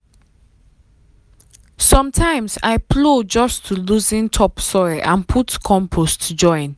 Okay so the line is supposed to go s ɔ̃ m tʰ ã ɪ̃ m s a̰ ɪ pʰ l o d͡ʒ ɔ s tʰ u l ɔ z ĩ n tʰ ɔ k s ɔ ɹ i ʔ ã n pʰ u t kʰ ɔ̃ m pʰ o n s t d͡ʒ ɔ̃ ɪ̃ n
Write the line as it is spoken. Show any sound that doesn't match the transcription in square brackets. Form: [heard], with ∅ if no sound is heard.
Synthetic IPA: s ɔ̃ m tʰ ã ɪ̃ m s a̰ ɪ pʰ l o d͡ʒ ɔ s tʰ u l [u] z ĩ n tʰ ɔ [p] s ɔ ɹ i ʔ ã n pʰ u t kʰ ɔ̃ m pʰ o [∅] s t d͡ʒ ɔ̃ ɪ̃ n